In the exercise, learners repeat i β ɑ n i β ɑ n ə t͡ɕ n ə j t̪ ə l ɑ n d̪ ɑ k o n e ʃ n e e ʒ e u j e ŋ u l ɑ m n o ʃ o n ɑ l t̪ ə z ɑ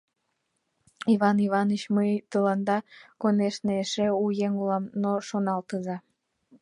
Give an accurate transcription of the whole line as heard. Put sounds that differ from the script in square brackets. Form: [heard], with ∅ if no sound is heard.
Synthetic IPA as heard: i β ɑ n i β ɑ n ə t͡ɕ [m] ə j t̪ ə l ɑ n d̪ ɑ k o n e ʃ n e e [ʃ] e u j e ŋ u l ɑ m n o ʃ o n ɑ l t̪ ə z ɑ